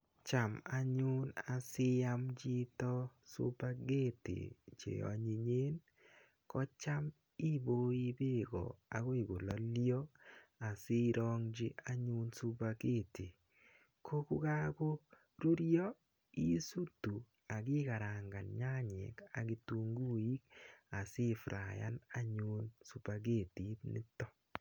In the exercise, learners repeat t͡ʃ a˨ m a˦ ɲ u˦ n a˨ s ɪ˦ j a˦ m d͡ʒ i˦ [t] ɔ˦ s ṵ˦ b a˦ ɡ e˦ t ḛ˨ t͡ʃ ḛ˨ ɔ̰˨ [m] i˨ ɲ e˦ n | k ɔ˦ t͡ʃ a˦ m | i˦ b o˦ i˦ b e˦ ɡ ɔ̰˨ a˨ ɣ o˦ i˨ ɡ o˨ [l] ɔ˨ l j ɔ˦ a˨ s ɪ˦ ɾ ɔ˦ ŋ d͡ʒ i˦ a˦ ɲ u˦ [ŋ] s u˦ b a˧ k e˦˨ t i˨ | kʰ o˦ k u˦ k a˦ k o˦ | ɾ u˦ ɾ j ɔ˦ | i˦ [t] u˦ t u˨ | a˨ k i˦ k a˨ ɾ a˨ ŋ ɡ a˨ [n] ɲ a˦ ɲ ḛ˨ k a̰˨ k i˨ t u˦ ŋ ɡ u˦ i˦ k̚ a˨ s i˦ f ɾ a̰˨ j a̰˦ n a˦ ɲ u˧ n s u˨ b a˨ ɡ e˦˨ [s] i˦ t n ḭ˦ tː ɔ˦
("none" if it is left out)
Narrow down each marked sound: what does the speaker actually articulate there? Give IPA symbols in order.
t, ɲ, l, n, s, n, t

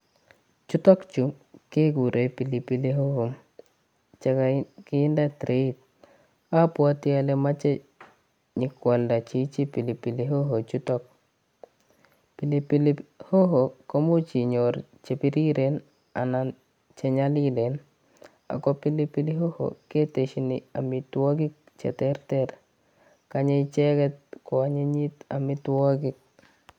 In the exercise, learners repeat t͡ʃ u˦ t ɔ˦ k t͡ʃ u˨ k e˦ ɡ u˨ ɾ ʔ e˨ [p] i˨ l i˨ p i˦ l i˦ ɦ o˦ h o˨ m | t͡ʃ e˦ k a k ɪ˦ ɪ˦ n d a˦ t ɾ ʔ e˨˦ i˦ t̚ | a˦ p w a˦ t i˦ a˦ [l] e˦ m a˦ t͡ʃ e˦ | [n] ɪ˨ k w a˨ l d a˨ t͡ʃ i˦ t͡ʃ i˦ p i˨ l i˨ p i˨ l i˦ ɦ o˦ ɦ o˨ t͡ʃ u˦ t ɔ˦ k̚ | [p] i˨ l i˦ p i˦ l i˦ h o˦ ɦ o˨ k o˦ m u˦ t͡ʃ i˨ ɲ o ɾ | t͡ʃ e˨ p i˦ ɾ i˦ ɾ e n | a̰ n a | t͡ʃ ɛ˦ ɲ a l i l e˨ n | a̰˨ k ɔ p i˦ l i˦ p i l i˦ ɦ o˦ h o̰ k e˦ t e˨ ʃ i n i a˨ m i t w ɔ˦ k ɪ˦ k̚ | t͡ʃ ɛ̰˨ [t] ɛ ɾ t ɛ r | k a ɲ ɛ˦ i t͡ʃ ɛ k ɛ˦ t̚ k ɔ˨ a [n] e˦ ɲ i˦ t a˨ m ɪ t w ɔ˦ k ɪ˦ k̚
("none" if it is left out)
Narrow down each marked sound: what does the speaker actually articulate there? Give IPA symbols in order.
p, l, ɲ, p, t, ɲ

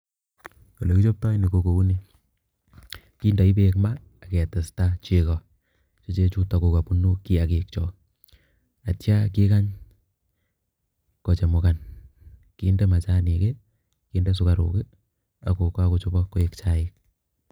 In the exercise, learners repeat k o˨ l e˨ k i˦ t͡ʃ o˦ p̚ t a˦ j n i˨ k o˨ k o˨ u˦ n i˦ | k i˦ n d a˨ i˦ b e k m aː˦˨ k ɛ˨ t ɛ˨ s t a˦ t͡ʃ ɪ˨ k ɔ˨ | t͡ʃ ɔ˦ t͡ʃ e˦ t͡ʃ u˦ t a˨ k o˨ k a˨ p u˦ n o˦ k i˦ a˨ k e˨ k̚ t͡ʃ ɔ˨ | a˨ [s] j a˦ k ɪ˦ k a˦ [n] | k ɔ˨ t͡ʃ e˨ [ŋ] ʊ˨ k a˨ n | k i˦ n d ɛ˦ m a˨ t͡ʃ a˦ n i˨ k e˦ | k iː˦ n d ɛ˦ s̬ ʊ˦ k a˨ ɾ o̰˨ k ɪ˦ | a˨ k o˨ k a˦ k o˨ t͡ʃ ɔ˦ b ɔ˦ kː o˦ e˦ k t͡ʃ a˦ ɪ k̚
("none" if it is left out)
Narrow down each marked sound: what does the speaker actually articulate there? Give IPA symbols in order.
t, ɲ, m

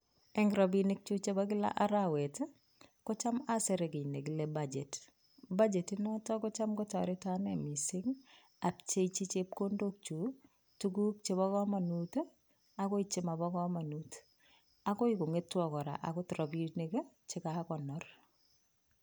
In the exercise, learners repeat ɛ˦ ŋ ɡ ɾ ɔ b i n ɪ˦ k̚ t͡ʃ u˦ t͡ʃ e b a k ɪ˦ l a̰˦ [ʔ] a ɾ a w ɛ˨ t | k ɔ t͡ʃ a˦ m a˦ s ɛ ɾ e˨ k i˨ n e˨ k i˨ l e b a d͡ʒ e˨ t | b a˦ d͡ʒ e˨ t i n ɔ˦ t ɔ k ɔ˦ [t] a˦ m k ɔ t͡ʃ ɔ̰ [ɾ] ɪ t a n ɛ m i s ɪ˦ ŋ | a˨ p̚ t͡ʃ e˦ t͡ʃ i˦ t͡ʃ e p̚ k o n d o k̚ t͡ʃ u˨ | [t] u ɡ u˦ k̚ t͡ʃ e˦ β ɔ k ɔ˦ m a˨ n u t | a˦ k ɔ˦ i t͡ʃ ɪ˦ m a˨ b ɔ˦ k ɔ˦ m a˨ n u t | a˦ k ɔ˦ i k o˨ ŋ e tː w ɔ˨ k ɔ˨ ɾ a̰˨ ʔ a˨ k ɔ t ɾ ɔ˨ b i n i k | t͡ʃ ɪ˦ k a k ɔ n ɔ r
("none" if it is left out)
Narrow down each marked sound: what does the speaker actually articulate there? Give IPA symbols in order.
ʔ, t͡ʃ, ɾ, t

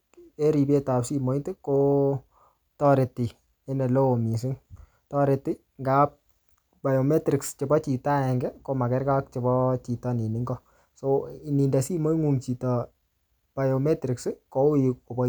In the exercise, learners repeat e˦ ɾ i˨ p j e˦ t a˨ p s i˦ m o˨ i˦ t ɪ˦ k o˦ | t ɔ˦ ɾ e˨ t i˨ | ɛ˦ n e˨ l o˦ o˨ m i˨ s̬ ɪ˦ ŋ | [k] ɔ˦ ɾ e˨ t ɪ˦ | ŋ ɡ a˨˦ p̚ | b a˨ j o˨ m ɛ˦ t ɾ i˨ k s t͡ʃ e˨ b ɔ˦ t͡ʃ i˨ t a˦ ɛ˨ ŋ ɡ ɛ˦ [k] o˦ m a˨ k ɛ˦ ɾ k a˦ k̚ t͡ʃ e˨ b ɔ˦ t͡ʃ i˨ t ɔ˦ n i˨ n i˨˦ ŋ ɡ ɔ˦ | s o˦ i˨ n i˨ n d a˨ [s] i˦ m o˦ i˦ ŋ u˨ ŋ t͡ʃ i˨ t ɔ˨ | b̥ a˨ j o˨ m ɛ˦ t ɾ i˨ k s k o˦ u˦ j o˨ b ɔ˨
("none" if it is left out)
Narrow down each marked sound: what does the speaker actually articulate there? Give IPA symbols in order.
t, k, s

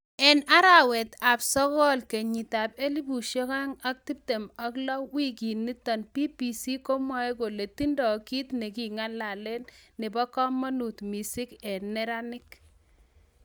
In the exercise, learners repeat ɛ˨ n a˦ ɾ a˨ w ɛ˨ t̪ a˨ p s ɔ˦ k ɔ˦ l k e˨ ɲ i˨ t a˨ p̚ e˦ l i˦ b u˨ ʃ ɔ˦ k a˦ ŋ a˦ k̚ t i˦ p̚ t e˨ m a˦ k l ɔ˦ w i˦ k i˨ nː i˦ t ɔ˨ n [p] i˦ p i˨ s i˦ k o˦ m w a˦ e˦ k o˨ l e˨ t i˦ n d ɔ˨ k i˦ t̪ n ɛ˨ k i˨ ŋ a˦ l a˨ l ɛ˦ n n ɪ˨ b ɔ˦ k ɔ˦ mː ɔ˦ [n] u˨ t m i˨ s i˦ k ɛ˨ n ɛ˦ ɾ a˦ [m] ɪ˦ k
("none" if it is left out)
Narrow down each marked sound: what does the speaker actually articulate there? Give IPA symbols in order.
p, n, n

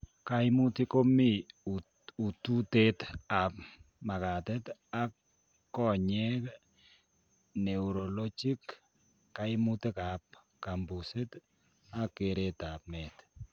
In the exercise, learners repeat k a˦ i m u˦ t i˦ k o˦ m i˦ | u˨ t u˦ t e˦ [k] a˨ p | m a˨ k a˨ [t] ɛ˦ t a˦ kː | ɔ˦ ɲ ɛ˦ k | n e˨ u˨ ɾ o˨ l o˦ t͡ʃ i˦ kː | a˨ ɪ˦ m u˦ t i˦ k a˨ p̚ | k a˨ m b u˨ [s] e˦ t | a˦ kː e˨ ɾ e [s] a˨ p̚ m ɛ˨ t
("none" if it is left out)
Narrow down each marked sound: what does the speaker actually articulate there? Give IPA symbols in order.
t, t, s, t

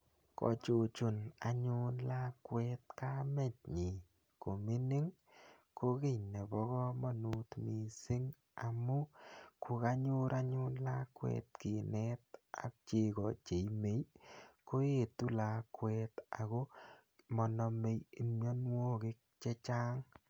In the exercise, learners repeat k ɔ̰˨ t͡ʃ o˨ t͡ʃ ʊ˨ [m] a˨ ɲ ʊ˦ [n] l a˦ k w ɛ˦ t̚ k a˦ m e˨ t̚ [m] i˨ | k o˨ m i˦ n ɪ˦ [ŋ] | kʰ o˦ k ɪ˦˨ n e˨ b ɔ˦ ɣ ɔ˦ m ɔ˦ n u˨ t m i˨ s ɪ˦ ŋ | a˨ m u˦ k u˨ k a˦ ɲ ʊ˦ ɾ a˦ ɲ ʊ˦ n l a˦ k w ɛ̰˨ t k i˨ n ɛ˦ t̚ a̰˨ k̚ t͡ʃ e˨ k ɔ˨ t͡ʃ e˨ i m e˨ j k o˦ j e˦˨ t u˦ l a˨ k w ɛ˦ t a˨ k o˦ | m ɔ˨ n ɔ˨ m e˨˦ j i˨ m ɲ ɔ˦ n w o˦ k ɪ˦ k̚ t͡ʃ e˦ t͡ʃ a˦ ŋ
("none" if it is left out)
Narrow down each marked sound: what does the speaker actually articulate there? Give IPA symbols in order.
n, n, ɲ, ŋ

